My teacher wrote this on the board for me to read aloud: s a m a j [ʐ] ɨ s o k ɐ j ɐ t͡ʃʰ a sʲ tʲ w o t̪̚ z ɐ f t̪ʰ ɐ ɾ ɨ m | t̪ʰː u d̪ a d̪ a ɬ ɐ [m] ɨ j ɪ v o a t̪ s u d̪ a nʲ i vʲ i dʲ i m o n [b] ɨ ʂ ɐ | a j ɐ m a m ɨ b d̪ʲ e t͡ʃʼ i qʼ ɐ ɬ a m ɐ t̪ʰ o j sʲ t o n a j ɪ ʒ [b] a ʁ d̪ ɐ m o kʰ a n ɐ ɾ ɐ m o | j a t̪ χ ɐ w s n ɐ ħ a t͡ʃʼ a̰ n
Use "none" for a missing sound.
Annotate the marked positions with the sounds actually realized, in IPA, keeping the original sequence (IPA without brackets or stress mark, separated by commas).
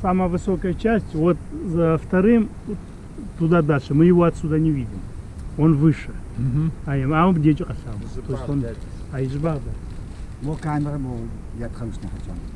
v, m, v, b